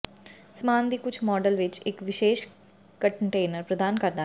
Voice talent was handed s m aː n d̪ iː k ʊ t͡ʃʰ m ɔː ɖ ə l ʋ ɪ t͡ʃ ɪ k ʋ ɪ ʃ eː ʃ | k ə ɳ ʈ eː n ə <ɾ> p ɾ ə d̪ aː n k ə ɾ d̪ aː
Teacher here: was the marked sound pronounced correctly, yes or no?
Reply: yes